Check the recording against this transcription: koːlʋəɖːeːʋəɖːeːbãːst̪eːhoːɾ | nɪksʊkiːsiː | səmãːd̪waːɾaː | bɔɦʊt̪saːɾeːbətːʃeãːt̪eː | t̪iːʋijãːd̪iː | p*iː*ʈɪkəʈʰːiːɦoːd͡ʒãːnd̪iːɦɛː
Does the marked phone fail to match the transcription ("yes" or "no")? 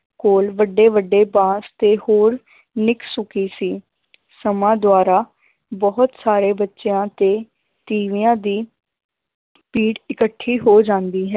no